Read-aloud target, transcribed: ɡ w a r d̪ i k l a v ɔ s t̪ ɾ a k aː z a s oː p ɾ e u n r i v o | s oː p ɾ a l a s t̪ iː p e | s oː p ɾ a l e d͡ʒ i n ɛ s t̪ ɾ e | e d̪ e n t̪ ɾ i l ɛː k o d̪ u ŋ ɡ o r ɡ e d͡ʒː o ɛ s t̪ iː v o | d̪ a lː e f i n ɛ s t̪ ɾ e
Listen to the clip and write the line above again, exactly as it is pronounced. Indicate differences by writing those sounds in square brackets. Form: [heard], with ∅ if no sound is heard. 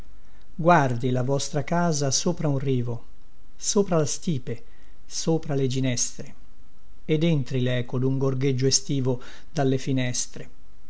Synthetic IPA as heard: ɡ w a r d̪ i [∅] l a v ɔ s t̪ ɾ a k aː z a s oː p ɾ [a] u n r [iː] v o | s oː p ɾ a l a s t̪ iː p e | s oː p ɾ a l e d͡ʒ i n ɛ s t̪ ɾ e | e d̪ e n t̪ ɾ i l ɛː k o d̪ u ŋ ɡ o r ɡ e d͡ʒː o [e] s t̪ iː v o | d̪ a lː e f i n ɛ s t̪ ɾ e